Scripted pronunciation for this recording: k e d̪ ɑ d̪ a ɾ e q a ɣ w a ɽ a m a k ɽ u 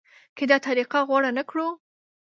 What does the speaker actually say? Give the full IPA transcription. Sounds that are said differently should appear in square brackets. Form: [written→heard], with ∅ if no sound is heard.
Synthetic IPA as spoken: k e d̪ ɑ [d̪→t̪] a ɾ [e→i] q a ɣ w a ɽ a [m→n] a k ɽ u